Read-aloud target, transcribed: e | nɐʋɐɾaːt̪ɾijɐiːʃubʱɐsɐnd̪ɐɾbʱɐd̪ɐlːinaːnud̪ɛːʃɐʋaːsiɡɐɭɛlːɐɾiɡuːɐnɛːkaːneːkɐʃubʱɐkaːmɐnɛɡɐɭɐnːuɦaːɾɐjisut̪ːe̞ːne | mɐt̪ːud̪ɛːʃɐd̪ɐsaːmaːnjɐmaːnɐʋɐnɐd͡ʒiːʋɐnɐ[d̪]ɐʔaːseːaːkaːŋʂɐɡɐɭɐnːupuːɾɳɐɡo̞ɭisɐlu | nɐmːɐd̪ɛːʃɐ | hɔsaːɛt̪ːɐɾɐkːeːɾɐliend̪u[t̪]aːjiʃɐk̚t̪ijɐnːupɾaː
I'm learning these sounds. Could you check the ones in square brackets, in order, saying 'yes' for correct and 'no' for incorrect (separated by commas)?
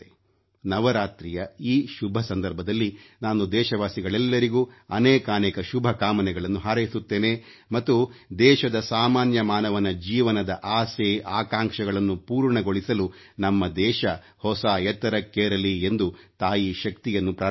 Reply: yes, yes